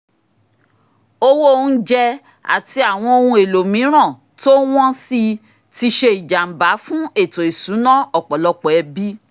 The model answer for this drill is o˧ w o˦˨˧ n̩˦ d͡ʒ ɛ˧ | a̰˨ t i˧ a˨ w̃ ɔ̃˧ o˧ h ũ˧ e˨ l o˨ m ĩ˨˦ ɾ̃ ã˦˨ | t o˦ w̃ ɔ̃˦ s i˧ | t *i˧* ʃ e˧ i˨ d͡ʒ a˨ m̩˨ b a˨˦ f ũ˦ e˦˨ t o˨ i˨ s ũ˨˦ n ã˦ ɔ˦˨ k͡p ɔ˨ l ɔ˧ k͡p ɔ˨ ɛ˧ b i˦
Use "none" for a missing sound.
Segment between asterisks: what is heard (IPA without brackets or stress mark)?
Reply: i˧